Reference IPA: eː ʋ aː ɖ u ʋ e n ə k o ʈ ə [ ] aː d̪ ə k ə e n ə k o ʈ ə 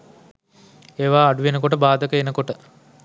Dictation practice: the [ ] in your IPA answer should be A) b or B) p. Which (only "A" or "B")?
A